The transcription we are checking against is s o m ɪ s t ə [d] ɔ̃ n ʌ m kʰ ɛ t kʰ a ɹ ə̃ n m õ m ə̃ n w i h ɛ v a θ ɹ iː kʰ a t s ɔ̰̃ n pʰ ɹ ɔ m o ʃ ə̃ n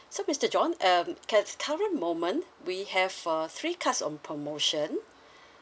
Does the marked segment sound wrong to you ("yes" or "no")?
yes